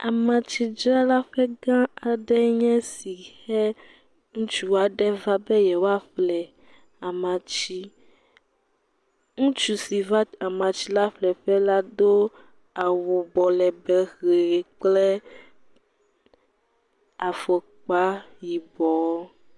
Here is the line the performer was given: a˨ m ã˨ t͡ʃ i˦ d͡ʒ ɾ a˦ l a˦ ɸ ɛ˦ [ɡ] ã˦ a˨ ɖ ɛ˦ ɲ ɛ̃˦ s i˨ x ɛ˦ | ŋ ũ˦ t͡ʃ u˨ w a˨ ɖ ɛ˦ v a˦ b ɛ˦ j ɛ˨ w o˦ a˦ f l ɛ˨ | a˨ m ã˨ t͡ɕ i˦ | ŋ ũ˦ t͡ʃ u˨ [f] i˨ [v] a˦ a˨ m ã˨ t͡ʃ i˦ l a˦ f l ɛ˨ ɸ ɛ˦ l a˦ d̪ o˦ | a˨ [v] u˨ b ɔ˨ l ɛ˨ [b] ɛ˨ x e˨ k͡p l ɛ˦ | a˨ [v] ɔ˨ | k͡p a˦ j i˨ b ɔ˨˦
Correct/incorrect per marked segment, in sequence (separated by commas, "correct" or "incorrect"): correct, incorrect, correct, incorrect, correct, incorrect